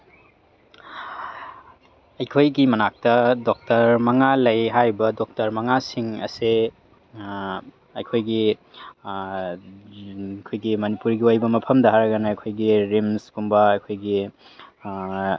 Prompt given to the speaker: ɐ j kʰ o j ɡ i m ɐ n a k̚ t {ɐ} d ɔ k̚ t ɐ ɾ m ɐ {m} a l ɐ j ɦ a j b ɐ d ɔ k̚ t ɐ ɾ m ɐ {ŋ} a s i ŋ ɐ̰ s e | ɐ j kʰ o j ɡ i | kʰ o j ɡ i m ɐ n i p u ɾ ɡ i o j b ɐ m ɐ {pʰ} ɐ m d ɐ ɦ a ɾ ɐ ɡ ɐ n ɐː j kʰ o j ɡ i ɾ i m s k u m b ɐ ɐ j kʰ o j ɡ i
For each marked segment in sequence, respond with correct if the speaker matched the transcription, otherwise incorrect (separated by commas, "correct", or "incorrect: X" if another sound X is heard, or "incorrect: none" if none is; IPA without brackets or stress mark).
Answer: correct, incorrect: ŋ, correct, correct